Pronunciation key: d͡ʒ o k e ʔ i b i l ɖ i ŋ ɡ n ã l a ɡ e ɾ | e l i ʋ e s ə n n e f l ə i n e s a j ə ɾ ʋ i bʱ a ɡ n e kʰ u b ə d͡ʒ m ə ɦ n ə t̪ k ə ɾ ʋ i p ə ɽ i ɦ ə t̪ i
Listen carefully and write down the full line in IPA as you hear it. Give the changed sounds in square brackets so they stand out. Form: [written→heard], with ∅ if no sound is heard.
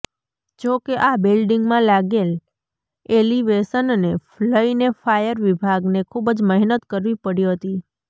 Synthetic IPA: d͡ʒ o k e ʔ [i→a] b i l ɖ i ŋ ɡ [n→m] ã l a ɡ e [ɾ→l] | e l i ʋ e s ə n n e f l ə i n e [s→f] a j ə ɾ ʋ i bʱ a ɡ n e kʰ u b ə d͡ʒ m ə ɦ n ə t̪ k ə ɾ ʋ i p ə ɽ i ɦ ə t̪ i